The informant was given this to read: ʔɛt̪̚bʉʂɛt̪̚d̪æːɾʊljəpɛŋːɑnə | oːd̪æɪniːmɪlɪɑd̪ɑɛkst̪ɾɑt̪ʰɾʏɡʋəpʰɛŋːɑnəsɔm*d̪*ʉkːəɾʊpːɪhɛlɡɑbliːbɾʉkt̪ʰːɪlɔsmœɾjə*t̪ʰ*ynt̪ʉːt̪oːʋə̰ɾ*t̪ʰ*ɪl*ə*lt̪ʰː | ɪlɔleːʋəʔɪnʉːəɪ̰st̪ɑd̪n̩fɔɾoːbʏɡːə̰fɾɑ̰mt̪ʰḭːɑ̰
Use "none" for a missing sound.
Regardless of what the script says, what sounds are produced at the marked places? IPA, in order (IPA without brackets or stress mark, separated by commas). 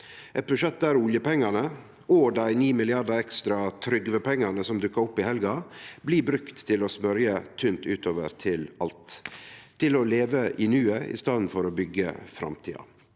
d̪, t̪ʰ, t̪ʰ, ɑ